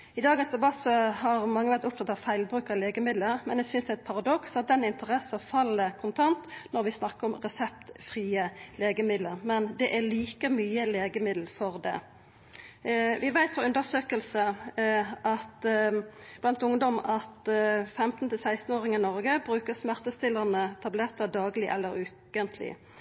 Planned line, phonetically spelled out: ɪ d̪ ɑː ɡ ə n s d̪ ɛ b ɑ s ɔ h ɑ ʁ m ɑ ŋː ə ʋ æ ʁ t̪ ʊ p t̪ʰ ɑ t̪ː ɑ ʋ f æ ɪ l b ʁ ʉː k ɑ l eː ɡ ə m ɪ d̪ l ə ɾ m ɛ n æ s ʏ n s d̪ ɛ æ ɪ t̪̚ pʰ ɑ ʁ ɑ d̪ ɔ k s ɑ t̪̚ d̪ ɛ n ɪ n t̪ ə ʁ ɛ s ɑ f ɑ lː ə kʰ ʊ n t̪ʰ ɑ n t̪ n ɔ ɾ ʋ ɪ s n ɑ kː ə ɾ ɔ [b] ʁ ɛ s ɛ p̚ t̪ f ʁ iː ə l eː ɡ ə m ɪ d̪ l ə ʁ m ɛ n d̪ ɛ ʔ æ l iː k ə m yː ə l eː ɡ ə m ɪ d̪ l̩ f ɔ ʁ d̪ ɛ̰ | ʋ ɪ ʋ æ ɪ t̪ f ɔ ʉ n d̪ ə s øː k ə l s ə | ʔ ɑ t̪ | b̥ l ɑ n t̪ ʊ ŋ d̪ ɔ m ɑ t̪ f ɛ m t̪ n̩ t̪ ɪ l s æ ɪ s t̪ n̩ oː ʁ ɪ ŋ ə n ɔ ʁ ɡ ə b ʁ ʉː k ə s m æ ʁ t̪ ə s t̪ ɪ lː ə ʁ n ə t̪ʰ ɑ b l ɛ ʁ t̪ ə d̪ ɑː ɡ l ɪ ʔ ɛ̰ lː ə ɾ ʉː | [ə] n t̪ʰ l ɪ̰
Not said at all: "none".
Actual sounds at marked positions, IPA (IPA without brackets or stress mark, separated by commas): m, ə